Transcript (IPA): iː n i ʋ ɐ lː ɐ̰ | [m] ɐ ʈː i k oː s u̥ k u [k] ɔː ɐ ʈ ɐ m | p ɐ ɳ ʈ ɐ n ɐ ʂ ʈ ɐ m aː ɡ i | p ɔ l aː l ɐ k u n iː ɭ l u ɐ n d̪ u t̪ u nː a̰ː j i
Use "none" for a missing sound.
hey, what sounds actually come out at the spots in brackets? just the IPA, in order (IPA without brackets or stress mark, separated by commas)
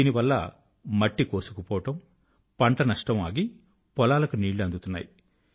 m, p